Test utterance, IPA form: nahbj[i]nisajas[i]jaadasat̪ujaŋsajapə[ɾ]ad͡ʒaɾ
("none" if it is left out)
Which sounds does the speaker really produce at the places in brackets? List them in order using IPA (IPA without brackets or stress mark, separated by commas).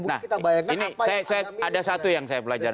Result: i, a, l